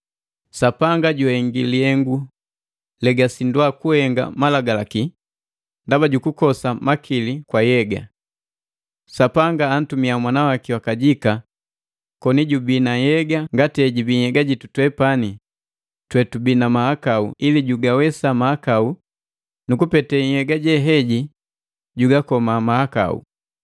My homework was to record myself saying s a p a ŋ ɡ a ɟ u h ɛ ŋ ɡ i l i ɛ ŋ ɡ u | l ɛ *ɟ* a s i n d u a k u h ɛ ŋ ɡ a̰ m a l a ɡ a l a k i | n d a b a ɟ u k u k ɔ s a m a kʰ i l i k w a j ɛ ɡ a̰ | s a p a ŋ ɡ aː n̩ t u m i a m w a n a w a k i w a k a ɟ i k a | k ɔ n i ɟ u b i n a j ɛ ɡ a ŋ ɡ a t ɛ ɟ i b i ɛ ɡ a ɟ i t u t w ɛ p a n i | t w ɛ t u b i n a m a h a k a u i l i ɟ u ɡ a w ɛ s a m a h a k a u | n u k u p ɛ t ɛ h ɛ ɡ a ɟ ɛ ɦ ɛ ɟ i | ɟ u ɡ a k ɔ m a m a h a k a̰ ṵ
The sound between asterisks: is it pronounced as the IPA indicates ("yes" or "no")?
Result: no